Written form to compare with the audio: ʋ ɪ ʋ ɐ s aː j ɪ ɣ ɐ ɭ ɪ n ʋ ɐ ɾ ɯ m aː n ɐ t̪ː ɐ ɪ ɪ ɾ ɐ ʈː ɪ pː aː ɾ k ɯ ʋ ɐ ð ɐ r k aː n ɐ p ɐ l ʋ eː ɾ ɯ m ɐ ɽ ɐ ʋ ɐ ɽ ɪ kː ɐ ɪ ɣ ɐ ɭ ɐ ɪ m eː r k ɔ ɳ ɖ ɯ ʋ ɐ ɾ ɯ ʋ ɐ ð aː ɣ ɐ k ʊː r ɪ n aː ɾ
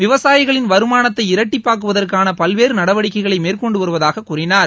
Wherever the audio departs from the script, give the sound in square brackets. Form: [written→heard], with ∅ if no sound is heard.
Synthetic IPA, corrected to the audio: ʋ ɪ ʋ ɐ s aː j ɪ ɣ ɐ ɭ ɪ n ʋ ɐ ɾ ɯ m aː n ɐ t̪ː ɐ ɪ ɪ ɾ ɐ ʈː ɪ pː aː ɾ k ɯ ʋ ɐ ð ɐ r k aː n ɐ p ɐ l ʋ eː ɾ ɯ [m→n] ɐ ɽ ɐ ʋ ɐ ɽ ɪ kː ɐ ɪ ɣ ɐ ɭ ɐ ɪ m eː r k ɔ ɳ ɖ ɯ ʋ ɐ ɾ ɯ ʋ ɐ ð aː ɣ ɐ k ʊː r ɪ n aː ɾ